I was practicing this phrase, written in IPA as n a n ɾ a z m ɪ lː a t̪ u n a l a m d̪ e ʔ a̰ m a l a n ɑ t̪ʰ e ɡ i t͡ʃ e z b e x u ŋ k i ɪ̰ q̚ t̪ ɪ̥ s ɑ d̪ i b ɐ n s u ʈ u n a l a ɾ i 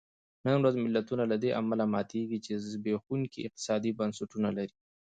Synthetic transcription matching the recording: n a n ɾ a z m ɪ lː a t̪ u n a l a d̪ e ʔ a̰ m a l a m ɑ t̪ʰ e ɡ i t͡ʃ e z b e x u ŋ k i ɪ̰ q̚ t̪ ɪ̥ s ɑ d̪ i b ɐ n s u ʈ u n a l a ɾ i